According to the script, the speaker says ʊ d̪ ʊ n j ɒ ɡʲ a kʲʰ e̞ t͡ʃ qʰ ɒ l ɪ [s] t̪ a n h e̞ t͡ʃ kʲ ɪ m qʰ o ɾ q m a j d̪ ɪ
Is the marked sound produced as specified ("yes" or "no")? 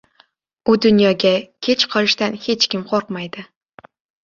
no